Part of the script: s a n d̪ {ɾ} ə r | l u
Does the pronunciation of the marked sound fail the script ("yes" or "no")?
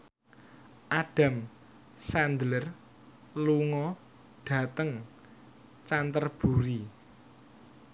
yes